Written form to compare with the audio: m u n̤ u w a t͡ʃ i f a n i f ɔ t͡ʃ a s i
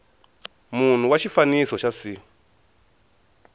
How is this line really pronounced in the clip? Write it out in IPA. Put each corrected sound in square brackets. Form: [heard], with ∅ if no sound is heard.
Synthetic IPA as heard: m u n̤ u w a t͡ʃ i f a n i [s] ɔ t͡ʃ a s i